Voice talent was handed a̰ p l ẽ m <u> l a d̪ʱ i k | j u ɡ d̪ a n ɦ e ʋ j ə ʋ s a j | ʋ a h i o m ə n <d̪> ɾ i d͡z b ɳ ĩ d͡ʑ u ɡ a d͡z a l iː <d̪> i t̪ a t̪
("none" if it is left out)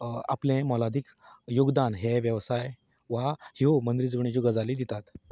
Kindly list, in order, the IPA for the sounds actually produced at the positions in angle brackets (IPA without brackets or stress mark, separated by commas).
ɔ, d̪, d̪